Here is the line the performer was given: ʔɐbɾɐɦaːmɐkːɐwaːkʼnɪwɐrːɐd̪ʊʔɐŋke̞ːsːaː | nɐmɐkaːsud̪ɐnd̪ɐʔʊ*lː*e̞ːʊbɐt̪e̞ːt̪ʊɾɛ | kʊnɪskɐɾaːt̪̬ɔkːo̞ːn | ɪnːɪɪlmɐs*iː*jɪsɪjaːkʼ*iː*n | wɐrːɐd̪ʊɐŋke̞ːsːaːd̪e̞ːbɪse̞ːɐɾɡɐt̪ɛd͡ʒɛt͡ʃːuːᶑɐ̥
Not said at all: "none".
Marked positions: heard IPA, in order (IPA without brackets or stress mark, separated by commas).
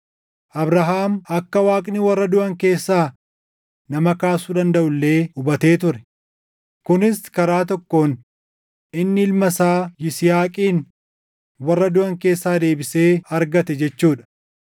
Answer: lː, aː, iː